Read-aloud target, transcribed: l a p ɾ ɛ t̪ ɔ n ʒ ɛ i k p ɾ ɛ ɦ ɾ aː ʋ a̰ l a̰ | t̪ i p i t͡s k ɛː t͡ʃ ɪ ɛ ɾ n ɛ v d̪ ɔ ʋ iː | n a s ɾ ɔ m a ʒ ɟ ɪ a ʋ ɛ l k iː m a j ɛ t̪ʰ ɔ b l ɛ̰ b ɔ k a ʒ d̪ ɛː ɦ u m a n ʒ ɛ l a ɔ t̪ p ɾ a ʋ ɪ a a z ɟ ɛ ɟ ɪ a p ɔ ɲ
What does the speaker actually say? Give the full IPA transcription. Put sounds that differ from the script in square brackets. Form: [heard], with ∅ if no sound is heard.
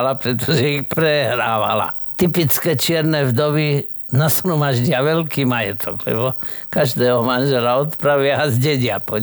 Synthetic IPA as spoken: l a p ɾ ɛ t̪ ɔ [∅] ʒ ɛ i [x] p ɾ ɛ ɦ ɾ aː ʋ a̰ l a̰ | t̪ i p i t͡s k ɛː t͡ʃ ɪ ɛ ɾ n ɛ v d̪ ɔ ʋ [i] | n a s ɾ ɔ m a ʒ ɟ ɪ a ʋ ɛ l k iː m a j ɛ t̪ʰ ɔ [ɡ] l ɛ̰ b ɔ k a ʒ d̪ ɛː ɦ [ɔ] m a n ʒ ɛ l a ɔ t̪ p ɾ a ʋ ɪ a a z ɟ ɛ ɟ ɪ a p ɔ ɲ